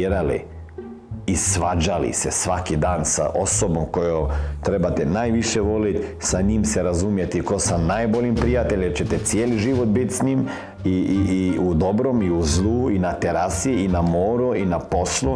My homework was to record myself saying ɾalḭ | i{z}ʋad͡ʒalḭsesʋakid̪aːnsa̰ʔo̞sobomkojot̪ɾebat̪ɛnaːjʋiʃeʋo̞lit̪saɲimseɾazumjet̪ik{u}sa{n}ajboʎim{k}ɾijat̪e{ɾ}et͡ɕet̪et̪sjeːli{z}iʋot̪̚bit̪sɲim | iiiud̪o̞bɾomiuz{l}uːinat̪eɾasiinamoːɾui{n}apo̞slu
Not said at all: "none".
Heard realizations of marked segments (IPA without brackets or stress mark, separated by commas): s, o, n, p, ʎ, ʒ, l, n